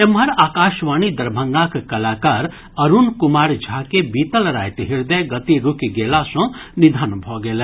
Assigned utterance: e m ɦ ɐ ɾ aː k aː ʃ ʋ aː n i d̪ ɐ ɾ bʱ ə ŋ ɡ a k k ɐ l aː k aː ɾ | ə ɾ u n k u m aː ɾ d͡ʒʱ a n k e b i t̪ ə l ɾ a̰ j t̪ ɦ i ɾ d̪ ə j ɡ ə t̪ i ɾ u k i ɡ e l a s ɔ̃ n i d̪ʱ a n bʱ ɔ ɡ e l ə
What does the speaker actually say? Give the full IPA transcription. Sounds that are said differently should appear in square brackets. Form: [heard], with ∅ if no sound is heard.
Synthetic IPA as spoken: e m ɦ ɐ ɾ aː k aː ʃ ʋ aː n i d̪ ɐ ɾ bʱ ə ŋ ɡ a k k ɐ l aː k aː ɾ | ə ɾ u n k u m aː ɾ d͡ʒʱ a [∅] k e b i t̪ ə l ɾ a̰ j t̪ ɦ i ɾ d̪ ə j ɡ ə t̪ i ɾ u k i ɡ e l a s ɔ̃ n i d̪ʱ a n bʱ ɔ ɡ e l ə